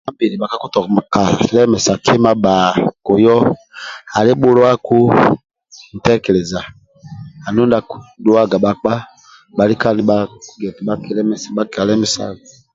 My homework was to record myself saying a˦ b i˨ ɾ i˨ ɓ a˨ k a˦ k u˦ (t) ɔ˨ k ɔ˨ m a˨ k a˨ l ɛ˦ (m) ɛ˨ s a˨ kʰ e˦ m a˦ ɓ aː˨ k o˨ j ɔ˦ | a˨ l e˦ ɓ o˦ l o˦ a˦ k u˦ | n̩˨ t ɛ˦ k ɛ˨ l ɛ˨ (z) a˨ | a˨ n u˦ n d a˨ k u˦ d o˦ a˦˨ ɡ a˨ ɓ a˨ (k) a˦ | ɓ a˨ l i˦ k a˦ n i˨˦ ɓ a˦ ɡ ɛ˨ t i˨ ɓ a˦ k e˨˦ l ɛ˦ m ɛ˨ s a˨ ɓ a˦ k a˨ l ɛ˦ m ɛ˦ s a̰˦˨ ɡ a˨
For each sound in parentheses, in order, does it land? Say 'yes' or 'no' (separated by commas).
yes, yes, yes, no